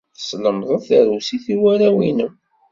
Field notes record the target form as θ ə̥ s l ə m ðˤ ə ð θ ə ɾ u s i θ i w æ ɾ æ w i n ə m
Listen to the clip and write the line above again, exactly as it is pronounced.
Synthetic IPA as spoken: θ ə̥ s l ə m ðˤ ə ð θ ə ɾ u s i θ i w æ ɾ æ w i n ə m